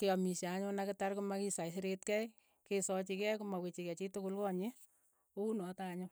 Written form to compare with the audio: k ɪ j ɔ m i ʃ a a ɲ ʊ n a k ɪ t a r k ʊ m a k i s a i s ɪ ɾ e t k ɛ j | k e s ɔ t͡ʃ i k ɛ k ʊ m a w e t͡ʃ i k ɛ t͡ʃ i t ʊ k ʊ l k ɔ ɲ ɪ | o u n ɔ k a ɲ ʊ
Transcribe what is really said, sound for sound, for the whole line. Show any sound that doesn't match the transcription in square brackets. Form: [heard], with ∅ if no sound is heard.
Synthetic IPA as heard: k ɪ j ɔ m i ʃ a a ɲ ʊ n a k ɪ t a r k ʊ m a k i s a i s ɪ ɾ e t k ɛ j | k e s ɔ t͡ʃ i k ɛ k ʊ m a w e t͡ʃ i k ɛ t͡ʃ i t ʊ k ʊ l k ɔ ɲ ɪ | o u n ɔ [t] a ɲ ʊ